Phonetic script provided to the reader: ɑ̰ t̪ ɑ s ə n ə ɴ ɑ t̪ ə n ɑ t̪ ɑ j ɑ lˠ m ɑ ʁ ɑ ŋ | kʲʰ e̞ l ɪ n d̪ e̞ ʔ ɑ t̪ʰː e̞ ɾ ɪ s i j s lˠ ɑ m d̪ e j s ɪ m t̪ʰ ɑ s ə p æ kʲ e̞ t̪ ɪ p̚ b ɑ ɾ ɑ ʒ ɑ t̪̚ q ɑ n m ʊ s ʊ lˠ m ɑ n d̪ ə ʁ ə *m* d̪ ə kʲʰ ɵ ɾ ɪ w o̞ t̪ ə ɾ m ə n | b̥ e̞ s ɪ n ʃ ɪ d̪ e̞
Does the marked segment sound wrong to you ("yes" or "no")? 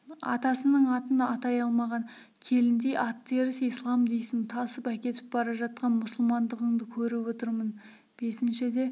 yes